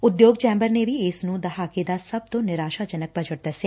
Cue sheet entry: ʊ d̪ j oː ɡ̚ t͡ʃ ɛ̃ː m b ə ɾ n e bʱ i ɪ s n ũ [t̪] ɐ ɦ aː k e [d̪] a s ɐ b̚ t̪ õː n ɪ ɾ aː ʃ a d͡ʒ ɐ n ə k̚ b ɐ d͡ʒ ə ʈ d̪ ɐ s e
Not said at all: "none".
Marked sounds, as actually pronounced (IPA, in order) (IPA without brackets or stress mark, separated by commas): d̪, d̪